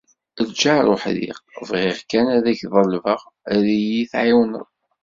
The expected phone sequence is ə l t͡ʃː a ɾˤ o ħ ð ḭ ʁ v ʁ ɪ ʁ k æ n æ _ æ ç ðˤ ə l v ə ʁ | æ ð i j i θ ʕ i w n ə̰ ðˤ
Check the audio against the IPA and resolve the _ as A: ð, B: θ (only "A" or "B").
A